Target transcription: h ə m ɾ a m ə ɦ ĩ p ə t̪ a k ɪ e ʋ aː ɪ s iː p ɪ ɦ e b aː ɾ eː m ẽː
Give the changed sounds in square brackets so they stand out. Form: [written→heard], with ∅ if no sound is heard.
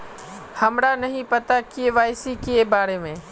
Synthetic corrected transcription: h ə m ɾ a [m→n] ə ɦ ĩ p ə t̪ a k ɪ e ʋ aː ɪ s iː [p→k] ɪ [ɦ→∅] e b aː ɾ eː m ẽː